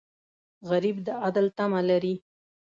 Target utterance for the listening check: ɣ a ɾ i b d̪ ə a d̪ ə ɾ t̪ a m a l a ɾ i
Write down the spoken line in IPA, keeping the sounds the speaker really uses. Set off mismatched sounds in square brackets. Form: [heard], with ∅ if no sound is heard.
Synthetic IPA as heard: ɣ a ɾ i b d̪ ə a d̪ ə [l] t̪ a m a l a ɾ i